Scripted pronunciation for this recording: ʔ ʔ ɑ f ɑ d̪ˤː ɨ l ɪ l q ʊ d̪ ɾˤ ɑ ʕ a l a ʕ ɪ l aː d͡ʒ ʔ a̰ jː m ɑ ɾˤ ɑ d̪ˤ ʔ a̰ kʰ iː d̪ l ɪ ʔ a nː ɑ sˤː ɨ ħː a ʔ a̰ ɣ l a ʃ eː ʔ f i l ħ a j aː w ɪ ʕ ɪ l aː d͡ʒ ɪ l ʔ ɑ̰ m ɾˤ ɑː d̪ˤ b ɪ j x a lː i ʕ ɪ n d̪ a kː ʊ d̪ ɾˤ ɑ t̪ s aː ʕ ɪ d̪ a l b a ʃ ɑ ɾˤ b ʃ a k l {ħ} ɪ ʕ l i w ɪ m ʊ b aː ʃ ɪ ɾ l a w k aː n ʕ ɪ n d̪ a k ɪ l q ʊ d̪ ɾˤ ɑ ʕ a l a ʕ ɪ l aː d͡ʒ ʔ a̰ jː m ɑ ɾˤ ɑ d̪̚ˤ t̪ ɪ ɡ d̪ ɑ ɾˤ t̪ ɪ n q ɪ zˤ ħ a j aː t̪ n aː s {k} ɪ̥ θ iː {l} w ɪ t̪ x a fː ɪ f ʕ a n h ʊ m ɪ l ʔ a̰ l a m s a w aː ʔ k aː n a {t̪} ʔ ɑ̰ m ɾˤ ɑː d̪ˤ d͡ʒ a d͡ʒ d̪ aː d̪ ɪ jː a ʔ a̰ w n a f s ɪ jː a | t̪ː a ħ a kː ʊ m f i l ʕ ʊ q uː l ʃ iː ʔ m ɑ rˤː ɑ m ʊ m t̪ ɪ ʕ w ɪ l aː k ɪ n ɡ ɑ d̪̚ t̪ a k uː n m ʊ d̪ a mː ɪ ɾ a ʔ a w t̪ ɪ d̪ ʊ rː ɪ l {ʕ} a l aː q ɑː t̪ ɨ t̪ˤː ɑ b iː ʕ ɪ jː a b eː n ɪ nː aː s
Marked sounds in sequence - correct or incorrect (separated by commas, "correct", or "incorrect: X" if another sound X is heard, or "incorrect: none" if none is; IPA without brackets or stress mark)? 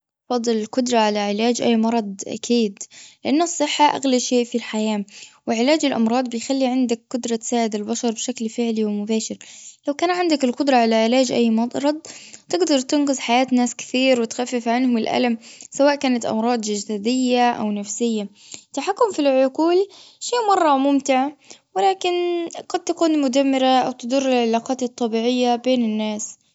incorrect: f, correct, incorrect: ɾ, correct, correct